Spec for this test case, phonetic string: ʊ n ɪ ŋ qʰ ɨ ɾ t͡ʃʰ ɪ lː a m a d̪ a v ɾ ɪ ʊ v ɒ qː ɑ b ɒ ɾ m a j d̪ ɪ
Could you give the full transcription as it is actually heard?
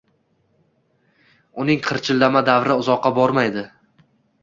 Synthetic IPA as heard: ʊ n ɪ ŋ qʰ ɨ ɾ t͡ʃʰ ɪ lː a m a d̪ a v ɾ ɪ ʊ z ɒ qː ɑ b ɒ ɾ m a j d̪ ɪ